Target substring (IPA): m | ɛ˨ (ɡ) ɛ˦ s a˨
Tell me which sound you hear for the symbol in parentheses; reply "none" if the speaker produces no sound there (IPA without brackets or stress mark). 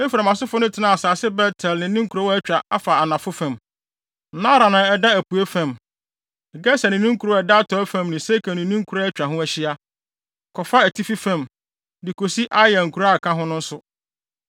ɡ